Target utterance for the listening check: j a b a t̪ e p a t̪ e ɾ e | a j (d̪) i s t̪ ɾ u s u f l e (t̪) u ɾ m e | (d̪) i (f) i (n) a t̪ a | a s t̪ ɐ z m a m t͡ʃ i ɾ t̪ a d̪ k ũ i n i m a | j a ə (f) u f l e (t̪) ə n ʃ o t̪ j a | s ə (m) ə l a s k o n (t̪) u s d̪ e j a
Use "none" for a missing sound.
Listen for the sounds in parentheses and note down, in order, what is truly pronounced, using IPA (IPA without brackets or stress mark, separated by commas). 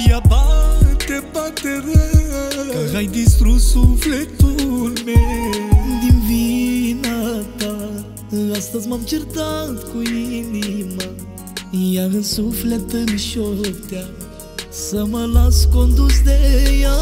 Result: d̪, t̪, d̪, v, n, s, t̪, m, d̪